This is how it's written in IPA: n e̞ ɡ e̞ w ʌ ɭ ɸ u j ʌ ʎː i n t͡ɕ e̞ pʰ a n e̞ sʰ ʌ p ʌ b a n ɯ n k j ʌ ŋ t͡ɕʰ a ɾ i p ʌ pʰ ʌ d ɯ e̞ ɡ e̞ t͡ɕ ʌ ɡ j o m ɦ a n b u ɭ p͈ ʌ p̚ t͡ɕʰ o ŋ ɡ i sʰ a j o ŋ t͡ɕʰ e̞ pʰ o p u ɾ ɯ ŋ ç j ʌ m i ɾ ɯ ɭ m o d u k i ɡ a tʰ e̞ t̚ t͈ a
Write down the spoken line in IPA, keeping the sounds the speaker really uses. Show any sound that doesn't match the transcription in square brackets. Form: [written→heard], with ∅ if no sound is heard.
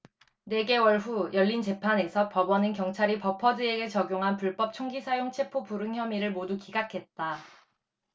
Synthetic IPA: n e̞ ɡ e̞ w ʌ ɭ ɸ u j ʌ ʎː i n t͡ɕ e̞ pʰ a n e̞ sʰ ʌ p ʌ b [a→ʌ] n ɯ n k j ʌ ŋ t͡ɕʰ a ɾ i p ʌ pʰ ʌ d ɯ e̞ ɡ e̞ t͡ɕ ʌ ɡ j o [m→ŋ] ɦ a n [b→p] u ɭ p͈ ʌ p̚ t͡ɕʰ o ŋ ɡ i sʰ a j o ŋ t͡ɕʰ e̞ pʰ o p u ɾ ɯ ŋ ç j ʌ m i ɾ ɯ ɭ m o d u k i ɡ a [tʰ→kʰ] e̞ t̚ t͈ a